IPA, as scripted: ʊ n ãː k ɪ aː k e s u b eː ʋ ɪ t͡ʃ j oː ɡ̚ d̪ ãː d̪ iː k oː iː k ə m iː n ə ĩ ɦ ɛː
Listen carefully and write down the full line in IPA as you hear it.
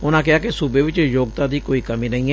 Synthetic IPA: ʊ n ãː k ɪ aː k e s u b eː ʋ ɪ t͡ʃ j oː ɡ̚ t̪ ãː d̪ iː k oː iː k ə m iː n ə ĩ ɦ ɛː